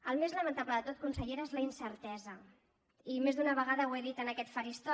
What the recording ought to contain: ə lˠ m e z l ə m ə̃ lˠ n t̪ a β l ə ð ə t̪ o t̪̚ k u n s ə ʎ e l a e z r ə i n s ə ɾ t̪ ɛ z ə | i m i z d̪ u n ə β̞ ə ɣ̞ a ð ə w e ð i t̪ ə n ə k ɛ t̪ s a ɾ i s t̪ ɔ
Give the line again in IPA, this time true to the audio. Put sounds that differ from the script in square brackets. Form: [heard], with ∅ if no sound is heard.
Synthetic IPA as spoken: ə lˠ m e z l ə m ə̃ [∅] n t̪ a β l ə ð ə t̪ o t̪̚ k u n s ə ʎ e [ɾ] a e z [l] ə i n s ə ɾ t̪ ɛ z ə | i m [e] z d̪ u n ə β̞ ə ɣ̞ a ð ə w e ð i t̪ ə n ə k ɛ t̪ [f] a ɾ i s t̪ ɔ